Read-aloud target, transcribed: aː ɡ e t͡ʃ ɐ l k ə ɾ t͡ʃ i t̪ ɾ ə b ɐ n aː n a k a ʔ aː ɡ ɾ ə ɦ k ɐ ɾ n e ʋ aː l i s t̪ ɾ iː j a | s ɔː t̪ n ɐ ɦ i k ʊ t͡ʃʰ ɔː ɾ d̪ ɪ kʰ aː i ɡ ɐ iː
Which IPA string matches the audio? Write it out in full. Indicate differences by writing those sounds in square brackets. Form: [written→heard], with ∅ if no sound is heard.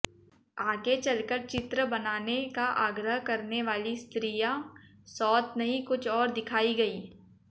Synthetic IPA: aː ɡ e t͡ʃ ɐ l k ə ɾ t͡ʃ [i→ɪ] t̪ ɾ ə b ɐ n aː n [a→e] k a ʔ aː ɡ ɾ ə ɦ k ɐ ɾ n e ʋ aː l i s t̪ ɾ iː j a | s ɔː t̪ n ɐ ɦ i k ʊ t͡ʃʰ ɔː ɾ d̪ ɪ kʰ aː i ɡ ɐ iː